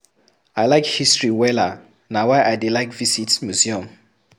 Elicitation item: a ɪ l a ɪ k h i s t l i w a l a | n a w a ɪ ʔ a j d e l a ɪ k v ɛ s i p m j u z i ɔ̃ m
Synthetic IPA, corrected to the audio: a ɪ l a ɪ k h i s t ɹ i w ɛ l a | n a w a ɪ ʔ a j d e l a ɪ k v i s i t m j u z i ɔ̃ m